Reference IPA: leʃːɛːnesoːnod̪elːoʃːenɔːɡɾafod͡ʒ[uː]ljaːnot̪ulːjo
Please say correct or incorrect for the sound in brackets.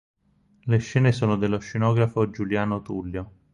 incorrect